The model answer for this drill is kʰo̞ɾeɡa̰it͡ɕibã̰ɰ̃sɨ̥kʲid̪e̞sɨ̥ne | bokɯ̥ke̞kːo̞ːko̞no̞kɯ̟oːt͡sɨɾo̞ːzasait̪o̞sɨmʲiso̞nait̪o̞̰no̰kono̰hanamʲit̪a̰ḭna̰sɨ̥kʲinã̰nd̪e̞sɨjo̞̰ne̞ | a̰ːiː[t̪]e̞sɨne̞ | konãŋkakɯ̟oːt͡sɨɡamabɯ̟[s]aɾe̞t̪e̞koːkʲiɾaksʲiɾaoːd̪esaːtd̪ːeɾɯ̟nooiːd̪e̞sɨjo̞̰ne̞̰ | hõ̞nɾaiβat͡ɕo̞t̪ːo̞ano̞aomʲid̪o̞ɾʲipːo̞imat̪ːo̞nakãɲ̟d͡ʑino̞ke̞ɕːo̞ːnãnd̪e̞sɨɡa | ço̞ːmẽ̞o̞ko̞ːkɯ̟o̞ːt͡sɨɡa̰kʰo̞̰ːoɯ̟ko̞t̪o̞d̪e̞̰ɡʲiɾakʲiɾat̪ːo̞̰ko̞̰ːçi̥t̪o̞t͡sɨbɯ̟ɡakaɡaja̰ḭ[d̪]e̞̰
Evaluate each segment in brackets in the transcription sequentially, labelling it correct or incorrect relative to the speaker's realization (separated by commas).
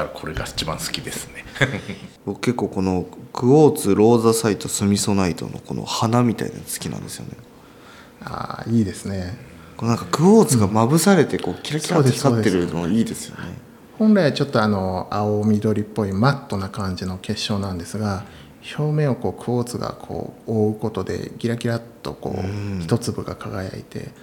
incorrect, correct, incorrect